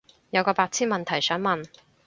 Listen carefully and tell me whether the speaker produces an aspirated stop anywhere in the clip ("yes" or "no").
yes